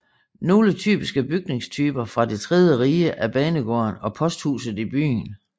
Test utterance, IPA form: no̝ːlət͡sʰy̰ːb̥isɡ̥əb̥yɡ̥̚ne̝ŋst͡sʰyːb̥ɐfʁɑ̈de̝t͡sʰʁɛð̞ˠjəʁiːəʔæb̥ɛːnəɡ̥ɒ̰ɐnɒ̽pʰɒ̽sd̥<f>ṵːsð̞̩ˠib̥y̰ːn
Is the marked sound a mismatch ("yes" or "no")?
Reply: yes